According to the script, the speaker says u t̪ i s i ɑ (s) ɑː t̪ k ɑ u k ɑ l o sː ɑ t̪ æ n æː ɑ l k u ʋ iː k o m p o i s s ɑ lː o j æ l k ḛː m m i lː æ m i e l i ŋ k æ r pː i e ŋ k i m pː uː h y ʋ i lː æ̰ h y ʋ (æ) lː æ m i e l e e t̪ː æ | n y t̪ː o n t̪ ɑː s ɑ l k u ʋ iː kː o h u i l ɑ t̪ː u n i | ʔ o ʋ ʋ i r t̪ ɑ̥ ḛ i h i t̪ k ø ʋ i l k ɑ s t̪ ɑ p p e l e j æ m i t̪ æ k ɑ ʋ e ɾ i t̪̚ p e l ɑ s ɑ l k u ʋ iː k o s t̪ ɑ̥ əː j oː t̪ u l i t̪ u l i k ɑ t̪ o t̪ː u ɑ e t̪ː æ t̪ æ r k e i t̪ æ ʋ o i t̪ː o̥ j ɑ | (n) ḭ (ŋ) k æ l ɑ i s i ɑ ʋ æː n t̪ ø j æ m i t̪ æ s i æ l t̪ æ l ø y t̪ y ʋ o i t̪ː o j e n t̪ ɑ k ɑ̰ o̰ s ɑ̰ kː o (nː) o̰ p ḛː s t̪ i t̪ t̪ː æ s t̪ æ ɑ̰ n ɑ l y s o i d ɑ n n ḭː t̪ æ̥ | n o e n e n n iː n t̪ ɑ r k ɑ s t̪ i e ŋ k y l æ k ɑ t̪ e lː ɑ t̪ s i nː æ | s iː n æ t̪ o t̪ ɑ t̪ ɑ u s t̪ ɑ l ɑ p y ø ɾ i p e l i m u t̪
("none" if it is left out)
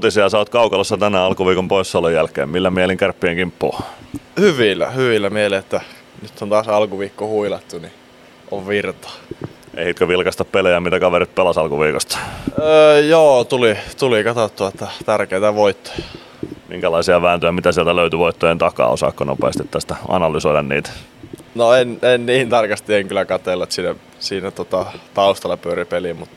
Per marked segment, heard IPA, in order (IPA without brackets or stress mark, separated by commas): s, i, m, ŋ, n